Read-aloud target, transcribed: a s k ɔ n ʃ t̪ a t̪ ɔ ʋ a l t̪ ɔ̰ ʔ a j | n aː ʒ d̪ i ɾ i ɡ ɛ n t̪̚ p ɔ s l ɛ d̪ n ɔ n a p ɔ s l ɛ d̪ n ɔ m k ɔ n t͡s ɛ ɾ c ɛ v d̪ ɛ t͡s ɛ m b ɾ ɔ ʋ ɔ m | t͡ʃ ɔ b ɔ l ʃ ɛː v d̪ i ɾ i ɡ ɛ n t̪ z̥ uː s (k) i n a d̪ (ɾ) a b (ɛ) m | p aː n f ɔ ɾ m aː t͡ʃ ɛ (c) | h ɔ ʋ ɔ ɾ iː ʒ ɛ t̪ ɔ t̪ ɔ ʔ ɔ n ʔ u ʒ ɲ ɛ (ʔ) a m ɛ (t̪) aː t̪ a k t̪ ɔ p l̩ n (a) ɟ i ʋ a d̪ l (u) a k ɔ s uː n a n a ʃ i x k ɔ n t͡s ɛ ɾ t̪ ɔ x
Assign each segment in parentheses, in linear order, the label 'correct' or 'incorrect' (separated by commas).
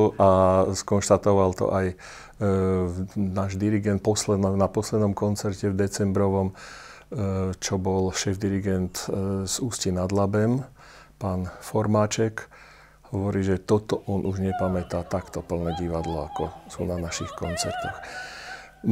incorrect, incorrect, correct, incorrect, incorrect, correct, incorrect, incorrect